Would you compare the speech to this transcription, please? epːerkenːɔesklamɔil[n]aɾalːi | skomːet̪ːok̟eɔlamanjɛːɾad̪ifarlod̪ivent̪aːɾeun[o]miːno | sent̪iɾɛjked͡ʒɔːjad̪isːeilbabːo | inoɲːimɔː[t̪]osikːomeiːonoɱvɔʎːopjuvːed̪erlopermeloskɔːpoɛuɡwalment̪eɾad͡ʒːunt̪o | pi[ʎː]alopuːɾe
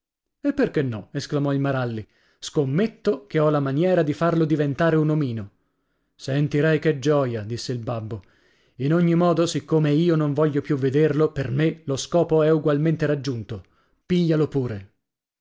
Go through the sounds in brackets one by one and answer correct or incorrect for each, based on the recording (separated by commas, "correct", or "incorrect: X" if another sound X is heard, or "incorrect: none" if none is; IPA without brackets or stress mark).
incorrect: m, correct, incorrect: d̪, correct